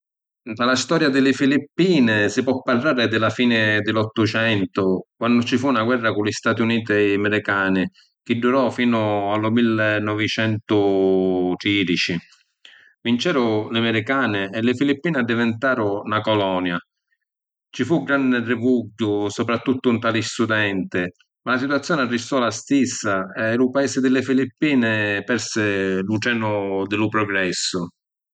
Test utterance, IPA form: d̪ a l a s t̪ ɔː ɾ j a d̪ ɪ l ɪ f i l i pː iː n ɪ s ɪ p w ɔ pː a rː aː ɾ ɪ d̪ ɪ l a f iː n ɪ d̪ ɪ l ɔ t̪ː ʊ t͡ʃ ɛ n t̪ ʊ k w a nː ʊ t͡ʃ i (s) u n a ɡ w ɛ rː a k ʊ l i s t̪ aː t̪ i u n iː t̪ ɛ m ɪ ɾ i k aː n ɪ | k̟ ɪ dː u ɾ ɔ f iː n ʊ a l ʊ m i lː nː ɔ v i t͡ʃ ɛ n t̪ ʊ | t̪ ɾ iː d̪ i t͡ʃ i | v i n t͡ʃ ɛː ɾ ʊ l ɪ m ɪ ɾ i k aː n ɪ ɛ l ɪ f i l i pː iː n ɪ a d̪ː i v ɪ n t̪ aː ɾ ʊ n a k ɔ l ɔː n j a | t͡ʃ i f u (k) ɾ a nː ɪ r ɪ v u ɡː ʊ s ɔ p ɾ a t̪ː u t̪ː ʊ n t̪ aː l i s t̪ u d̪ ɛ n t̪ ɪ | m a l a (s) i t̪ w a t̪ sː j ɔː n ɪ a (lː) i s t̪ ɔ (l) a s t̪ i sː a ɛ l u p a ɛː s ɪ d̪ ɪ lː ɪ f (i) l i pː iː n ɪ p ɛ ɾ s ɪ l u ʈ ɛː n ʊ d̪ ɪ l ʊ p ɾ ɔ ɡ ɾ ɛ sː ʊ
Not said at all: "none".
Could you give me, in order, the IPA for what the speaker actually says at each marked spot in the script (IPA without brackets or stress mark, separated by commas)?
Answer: f, ɡ, s, rː, l, i